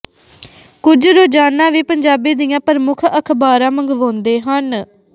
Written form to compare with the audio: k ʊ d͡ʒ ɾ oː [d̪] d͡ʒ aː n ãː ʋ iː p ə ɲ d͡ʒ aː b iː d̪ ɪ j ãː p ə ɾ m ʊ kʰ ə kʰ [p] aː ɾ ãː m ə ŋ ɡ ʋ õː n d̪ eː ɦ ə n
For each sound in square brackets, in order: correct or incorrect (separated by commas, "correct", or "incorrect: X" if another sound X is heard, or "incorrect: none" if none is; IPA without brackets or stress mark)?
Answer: incorrect: none, incorrect: b